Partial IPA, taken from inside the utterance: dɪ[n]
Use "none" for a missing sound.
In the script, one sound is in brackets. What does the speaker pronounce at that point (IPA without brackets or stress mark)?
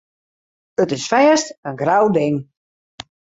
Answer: ŋ